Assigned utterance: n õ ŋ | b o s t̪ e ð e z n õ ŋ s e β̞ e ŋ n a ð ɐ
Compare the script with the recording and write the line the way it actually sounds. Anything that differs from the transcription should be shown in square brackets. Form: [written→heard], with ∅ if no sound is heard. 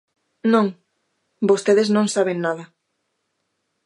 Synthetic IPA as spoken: n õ ŋ | b o s t̪ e ð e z n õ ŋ s [e→a] β̞ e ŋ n a ð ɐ